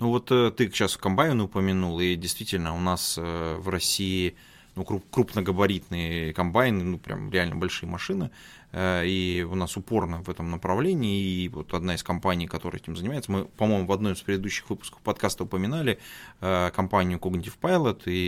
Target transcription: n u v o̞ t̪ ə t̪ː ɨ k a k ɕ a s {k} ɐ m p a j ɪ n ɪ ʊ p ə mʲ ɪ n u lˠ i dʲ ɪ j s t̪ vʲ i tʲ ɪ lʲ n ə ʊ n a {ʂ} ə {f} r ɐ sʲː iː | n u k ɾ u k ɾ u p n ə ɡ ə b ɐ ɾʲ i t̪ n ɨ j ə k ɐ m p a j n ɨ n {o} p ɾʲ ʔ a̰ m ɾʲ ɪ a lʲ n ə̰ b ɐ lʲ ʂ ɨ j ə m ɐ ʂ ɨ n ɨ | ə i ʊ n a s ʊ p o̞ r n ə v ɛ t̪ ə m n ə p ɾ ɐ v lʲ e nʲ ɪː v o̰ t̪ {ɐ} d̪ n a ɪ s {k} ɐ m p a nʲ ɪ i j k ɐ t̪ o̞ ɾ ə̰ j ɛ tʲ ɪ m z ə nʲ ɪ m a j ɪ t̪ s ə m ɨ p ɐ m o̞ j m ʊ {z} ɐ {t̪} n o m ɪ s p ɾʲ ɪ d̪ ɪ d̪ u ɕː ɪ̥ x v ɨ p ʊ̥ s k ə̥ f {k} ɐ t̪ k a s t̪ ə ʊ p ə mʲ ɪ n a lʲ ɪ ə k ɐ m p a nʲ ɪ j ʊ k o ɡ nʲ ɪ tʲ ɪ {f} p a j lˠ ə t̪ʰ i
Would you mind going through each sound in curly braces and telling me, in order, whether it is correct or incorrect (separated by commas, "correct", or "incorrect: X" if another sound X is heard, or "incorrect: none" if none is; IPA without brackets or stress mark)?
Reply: correct, incorrect: s, incorrect: v, incorrect: u, correct, correct, incorrect: v, incorrect: d̪, incorrect: p, correct